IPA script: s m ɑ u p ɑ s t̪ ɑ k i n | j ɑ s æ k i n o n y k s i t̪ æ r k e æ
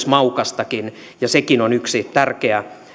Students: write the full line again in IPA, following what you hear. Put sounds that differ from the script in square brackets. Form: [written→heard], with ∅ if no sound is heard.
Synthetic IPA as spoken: s m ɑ u [p→k] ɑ s t̪ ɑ k i n | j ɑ s [æ→e] k i n o n y k s i t̪ æ r k e æ